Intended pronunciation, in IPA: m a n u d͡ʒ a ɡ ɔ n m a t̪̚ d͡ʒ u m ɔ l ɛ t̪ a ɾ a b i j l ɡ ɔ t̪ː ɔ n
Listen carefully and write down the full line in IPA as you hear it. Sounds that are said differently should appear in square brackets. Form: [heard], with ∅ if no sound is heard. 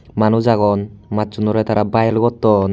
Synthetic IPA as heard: m a n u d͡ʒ a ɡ ɔ n m a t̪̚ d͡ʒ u [n] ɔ [ɾ] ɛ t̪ a ɾ a b [a] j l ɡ ɔ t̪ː ɔ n